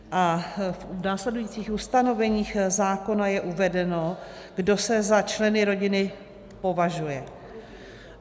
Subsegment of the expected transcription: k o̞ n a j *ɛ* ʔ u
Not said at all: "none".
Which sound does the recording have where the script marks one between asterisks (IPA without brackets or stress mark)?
ɛ